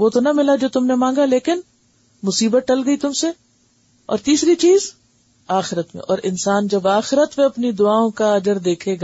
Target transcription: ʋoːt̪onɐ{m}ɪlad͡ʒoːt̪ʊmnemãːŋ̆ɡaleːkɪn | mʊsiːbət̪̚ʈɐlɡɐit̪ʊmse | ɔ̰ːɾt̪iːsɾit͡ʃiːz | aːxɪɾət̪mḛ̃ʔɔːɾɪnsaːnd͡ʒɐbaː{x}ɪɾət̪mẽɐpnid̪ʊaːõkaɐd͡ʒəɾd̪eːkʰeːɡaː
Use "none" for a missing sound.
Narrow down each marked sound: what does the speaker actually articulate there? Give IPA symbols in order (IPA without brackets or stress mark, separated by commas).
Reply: m, x